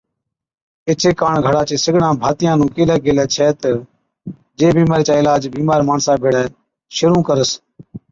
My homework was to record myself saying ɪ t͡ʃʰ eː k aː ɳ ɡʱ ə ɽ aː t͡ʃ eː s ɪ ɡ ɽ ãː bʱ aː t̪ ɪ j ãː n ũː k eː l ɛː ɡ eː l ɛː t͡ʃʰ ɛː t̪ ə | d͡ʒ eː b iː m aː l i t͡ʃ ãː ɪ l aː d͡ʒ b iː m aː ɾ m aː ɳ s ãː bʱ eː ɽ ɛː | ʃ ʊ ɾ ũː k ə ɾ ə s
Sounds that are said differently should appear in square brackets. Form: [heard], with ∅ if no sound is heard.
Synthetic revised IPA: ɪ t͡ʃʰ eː k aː ɳ ɡʱ ə ɽ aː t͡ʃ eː s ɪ ɡ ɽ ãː bʱ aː t̪ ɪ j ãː n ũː k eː l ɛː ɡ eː l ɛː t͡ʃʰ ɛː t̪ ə | d͡ʒ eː b iː m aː [ɾ] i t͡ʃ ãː ɪ l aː d͡ʒ b iː m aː ɾ m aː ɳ s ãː bʱ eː ɽ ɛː | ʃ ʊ ɾ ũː k ə ɾ ə s